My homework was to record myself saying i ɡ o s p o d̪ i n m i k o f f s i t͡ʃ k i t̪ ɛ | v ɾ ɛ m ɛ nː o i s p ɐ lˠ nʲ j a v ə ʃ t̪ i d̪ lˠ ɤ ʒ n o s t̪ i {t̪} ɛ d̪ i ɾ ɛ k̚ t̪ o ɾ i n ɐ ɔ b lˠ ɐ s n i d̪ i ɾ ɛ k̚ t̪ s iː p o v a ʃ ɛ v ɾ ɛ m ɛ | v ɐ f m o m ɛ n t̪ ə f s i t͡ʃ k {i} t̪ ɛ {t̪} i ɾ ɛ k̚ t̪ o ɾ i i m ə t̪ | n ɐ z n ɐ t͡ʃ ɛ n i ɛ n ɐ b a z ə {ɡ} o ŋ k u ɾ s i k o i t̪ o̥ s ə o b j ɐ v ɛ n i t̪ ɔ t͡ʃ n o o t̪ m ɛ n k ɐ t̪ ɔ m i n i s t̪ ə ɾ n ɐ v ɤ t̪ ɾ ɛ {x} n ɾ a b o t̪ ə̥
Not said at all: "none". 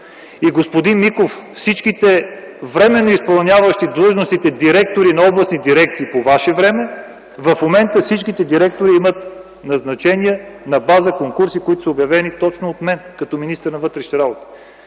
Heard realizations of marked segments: t̪, i, d̪, k, ʃ

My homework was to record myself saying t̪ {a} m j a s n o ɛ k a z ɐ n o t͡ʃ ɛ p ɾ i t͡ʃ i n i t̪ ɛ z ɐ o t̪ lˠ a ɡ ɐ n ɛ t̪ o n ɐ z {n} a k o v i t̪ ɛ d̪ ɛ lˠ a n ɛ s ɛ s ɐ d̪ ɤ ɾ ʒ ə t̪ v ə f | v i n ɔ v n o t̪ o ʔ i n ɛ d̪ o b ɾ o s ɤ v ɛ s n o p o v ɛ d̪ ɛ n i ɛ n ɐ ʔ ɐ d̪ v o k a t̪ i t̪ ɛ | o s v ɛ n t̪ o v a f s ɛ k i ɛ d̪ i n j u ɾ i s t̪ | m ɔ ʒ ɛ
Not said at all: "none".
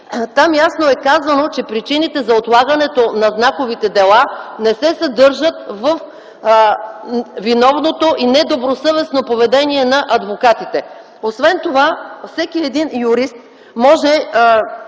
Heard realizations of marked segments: a, n

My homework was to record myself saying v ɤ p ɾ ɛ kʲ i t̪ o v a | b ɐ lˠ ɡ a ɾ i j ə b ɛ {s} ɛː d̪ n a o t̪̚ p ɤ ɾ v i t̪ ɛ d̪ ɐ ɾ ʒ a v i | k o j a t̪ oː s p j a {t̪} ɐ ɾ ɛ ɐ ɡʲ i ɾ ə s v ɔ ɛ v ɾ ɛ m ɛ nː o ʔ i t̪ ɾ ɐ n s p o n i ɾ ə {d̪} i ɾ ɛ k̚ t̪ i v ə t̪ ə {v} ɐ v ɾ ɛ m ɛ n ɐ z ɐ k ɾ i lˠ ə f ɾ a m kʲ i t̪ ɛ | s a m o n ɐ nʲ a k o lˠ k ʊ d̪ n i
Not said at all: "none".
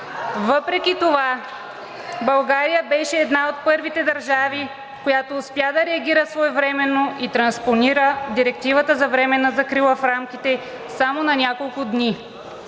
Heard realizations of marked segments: ʃ, d̪, d̪, z

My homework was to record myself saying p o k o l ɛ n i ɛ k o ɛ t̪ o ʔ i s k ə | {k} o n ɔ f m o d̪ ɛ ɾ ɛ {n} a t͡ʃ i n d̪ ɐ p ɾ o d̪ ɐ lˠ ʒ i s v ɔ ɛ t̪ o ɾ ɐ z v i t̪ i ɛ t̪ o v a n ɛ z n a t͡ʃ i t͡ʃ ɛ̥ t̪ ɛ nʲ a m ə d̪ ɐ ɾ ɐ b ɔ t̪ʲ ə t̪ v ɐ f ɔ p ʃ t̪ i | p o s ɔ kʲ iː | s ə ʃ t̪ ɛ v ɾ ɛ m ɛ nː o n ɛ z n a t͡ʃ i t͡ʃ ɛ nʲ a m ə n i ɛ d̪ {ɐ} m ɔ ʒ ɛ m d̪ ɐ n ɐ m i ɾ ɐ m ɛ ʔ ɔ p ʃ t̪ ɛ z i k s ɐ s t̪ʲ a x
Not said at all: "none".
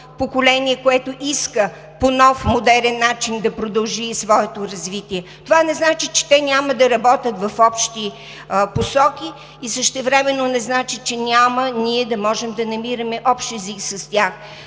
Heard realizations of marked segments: p, nː, ɐ

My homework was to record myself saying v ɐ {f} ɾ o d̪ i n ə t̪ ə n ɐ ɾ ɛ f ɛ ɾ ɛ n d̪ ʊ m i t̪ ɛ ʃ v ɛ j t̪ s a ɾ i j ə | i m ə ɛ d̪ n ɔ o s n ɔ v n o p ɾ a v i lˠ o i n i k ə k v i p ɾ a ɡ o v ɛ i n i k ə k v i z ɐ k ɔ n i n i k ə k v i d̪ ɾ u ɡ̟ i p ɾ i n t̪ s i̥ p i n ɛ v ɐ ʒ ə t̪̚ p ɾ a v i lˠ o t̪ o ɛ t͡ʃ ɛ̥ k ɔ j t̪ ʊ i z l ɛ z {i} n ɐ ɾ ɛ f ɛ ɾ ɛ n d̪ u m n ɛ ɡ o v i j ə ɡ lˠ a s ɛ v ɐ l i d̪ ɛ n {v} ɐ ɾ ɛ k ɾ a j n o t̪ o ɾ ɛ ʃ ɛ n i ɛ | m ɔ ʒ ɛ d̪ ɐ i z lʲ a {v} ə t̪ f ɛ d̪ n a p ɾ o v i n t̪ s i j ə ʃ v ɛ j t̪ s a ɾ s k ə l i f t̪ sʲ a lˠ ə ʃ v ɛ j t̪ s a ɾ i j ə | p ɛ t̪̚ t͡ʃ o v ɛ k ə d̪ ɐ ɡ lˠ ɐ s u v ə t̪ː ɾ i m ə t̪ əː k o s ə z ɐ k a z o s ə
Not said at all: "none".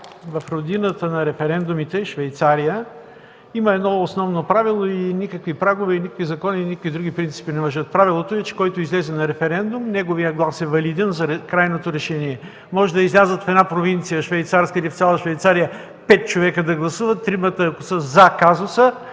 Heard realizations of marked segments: f, ɛ, z, z

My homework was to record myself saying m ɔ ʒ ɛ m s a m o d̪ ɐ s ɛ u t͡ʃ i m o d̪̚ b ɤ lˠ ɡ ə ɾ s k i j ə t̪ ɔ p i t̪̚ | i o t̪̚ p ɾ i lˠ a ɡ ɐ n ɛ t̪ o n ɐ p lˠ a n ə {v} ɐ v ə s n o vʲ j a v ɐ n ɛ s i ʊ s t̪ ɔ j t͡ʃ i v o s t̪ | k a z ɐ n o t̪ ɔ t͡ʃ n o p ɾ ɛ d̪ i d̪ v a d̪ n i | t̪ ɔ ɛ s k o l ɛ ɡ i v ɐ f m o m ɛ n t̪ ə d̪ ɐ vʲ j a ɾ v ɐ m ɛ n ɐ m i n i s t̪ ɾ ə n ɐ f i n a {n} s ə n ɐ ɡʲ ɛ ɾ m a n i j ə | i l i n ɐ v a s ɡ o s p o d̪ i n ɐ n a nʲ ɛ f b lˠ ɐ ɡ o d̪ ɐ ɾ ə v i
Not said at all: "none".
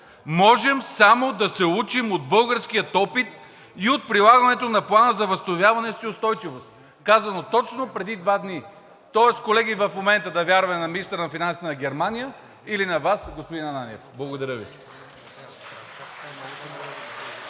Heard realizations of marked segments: z, n

